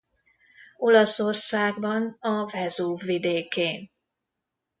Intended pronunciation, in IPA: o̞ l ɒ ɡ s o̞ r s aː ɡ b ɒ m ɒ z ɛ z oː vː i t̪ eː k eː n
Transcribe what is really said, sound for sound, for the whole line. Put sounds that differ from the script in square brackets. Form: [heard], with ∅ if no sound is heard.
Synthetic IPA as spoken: o̞ l ɒ [∅] s o̞ r s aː ɡ b ɒ [n] ɒ [v] ɛ z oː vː i [d̪] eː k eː n

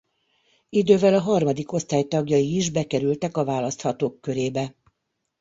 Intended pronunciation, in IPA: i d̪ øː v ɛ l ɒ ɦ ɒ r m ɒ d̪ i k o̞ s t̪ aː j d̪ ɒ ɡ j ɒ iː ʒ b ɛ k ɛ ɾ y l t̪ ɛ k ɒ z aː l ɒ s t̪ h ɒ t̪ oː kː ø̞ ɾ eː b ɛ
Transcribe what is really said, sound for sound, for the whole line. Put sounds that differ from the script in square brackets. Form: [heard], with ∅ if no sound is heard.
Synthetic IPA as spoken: i d̪ øː v ɛ l ɒ ɦ ɒ r m ɒ d̪ i k o̞ s t̪ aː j [t̪] ɒ ɡ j ɒ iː ʒ b ɛ k ɛ ɾ y l t̪ ɛ k ɒ [v] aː l ɒ s t̪ h ɒ t̪ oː kː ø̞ ɾ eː b ɛ

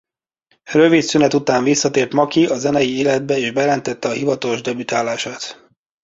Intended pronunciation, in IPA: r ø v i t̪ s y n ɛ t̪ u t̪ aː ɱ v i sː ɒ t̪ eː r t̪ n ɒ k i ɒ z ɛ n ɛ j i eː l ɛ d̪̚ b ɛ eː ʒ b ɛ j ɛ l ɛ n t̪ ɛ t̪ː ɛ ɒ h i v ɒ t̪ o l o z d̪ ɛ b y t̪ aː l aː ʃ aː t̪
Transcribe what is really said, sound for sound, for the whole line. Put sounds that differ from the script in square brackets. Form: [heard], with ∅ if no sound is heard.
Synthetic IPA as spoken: r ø v i t̪ s y n ɛ t̪ u t̪ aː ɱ v i sː ɒ t̪ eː r t̪ [m] ɒ k i ɒ z ɛ n ɛ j i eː l ɛ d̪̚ b ɛ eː ʒ b ɛ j ɛ l ɛ n t̪ ɛ t̪ː ɛ ɒ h i v ɒ t̪ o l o [ʒ] d̪ ɛ b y t̪ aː l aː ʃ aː t̪

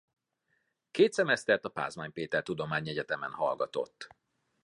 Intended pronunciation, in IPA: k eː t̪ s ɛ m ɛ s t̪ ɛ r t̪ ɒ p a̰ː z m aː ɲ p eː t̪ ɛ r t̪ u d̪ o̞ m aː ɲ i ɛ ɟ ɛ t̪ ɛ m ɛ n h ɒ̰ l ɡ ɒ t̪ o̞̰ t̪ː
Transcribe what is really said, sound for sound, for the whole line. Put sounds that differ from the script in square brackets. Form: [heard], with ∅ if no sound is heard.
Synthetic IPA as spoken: k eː t̪ s ɛ m ɛ s t̪ ɛ r t̪ ɒ p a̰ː z m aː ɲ p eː t̪ ɛ r t̪ u d̪ o̞ m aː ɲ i ɛ ɟ ɛ t̪ ɛ m ɛ n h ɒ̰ l ɡ ɒ t̪ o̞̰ t̪ː

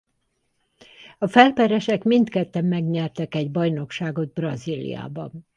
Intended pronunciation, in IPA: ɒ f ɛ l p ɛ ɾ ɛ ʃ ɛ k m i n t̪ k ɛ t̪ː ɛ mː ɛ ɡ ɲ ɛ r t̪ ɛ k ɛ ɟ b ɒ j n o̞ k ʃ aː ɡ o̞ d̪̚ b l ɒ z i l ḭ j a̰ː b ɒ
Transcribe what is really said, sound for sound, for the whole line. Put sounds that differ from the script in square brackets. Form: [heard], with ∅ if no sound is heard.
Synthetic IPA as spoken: ɒ f ɛ l p ɛ ɾ ɛ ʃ ɛ k m i n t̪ k ɛ t̪ː ɛ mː ɛ ɡ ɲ ɛ r t̪ ɛ k ɛ ɟ b ɒ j n o̞ k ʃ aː ɡ o̞ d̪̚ b [r] ɒ z i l ḭ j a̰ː b ɒ

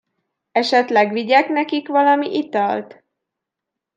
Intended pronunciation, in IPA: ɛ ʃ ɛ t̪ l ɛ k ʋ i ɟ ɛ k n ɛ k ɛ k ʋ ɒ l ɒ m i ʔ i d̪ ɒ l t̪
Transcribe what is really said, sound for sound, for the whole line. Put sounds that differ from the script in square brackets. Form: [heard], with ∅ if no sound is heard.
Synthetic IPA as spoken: ɛ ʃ ɛ t̪ l ɛ [ɡ] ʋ i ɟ ɛ k n ɛ k [i] k ʋ ɒ l ɒ m i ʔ i [t̪] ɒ l t̪

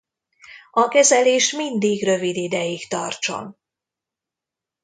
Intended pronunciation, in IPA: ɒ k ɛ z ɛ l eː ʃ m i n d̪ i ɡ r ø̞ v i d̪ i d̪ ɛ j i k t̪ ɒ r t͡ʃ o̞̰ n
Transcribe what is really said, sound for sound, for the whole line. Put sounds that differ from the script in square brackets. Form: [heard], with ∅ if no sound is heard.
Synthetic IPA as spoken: ɒ k ɛ z ɛ l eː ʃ m i n d̪ i ɡ r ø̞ v i d̪ i d̪ ɛ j i k t̪ ɒ r t͡ʃ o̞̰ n

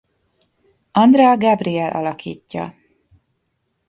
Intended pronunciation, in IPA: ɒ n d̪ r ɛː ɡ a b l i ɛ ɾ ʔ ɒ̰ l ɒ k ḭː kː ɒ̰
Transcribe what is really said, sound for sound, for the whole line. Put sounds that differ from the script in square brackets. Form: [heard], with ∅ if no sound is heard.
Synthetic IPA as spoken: ɒ n d̪ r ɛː ɡ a b [r] i ɛ [l] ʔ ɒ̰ l ɒ k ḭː [cː] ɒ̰

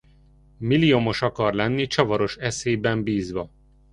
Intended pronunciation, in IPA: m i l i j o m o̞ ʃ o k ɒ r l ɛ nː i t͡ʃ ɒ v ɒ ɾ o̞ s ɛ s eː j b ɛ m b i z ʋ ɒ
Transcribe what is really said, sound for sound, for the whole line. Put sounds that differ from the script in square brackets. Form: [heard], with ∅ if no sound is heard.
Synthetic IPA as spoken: m i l i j o m o̞ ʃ [ɒ] k ɒ r l ɛ nː i t͡ʃ ɒ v ɒ ɾ o̞ [ʃ] ɛ s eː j b ɛ m b [iː] z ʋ ɒ

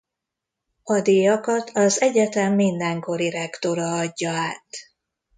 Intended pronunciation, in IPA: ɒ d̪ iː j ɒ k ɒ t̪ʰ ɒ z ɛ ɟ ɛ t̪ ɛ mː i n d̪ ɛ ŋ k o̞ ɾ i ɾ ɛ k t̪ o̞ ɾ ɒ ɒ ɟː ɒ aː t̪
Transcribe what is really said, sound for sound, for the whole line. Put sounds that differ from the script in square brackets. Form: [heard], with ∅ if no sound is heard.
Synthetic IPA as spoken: ɒ d̪ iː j ɒ k ɒ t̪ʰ ɒ z ɛ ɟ ɛ t̪ ɛ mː i n d̪ ɛ ŋ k o̞ ɾ i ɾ ɛ k t̪ o̞ ɾ ɒ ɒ ɟː ɒ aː t̪

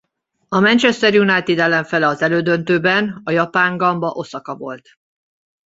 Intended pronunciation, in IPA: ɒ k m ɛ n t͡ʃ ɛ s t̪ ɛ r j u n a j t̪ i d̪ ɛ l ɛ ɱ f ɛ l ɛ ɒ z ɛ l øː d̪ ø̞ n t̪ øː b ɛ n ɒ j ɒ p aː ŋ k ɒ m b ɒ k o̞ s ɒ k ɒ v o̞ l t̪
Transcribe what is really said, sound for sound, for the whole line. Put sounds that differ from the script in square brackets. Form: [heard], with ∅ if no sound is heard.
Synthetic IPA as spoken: ɒ [∅] m ɛ n t͡ʃ ɛ s t̪ ɛ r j u n a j t̪ i d̪ ɛ l ɛ ɱ f ɛ l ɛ ɒ z ɛ l øː d̪ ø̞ n t̪ øː b ɛ n ɒ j ɒ p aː ŋ [ɡ] ɒ m b ɒ [ʔ] o̞ s ɒ k ɒ v o̞ l t̪

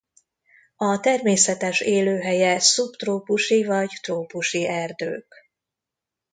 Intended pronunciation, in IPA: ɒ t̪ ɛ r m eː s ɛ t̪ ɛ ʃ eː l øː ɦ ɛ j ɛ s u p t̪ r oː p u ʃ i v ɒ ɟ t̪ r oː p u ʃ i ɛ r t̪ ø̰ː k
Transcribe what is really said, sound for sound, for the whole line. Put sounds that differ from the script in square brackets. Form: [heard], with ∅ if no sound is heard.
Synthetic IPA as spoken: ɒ t̪ ɛ r m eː s ɛ t̪ ɛ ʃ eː l øː ɦ ɛ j ɛ s u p t̪ r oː p u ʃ i v ɒ ɟ t̪ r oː p u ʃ i ɛ r [d̪] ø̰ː k

